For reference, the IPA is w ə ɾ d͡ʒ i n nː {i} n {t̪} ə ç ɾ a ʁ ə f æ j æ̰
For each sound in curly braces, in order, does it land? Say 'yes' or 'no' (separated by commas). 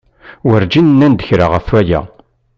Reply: no, no